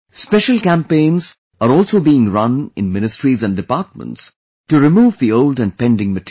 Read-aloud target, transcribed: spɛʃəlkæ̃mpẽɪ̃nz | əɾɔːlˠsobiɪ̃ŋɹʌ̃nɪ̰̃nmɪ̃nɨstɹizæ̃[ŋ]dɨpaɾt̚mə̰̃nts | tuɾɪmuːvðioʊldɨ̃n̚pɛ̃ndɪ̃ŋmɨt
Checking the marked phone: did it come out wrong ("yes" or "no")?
yes